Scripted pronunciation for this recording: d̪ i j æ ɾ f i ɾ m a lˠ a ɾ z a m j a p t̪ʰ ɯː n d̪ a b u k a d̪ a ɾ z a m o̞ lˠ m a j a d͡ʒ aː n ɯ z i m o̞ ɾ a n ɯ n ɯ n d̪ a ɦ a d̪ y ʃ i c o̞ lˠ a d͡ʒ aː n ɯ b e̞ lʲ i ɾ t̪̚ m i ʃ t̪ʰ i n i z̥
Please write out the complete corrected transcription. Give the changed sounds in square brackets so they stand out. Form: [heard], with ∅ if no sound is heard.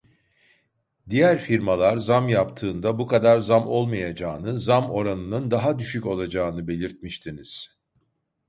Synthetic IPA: d̪ i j æ ɾ f i ɾ m a lˠ a ɾ z a m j a p t̪ʰ ɯː n d̪ a b u k a d̪ a ɾ z a m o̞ lˠ m a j a d͡ʒ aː n ɯ z [a] m o̞ ɾ a n ɯ n ɯ n d̪ a ɦ a d̪ y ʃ [y] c o̞ lˠ a d͡ʒ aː n ɯ b e̞ lʲ i ɾ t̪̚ m i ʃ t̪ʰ i n i z̥